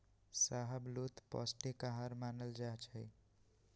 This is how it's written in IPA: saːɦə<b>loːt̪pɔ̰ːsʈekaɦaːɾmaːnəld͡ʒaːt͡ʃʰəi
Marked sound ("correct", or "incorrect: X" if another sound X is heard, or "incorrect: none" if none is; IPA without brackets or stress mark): correct